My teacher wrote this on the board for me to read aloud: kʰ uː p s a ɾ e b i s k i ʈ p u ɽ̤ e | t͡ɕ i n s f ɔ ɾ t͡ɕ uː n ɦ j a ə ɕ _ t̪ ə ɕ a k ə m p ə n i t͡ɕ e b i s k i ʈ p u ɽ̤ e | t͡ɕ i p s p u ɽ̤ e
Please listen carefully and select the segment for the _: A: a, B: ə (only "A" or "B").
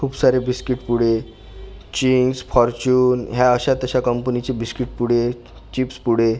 A